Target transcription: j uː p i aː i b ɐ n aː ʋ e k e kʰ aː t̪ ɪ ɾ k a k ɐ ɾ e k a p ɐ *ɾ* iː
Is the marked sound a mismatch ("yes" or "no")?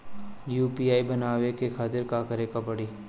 yes